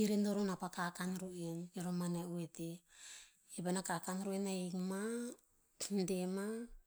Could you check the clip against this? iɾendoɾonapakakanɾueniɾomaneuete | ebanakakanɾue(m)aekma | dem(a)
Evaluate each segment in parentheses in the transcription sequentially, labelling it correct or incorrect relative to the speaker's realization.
incorrect: n, correct

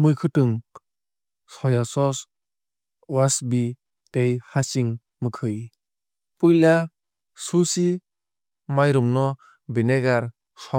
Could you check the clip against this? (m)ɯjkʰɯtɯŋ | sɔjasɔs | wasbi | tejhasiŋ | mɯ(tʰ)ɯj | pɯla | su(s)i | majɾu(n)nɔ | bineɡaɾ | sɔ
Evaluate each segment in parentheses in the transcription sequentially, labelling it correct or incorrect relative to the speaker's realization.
correct, incorrect: kʰ, correct, incorrect: m

